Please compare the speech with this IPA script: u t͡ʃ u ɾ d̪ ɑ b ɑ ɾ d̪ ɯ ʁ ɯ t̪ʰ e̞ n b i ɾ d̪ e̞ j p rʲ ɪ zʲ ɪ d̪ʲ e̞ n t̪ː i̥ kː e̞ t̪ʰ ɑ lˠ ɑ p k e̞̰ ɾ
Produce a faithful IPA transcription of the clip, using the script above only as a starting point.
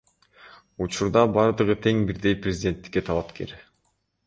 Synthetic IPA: u t͡ʃ u ɾ d̪ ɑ b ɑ ɾ d̪ ɯ ʁ ɯ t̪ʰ e̞ ŋ b i ɾ d̪ e̞ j p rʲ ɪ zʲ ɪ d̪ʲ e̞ n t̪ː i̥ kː e̞ t̪ʰ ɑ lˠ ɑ p k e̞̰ ɾ